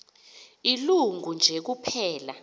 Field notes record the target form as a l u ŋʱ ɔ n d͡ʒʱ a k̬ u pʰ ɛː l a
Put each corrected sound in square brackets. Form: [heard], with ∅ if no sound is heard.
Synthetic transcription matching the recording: [i] l u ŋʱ [u] n d͡ʒʱ [e] k̬ u pʰ ɛː l a